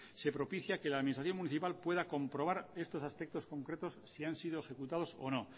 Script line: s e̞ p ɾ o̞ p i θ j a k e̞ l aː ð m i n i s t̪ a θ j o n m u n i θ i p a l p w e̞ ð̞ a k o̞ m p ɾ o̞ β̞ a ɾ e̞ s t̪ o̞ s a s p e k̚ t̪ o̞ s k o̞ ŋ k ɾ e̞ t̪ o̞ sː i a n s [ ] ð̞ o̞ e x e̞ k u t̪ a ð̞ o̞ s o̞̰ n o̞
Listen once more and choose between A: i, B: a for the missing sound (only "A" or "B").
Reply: A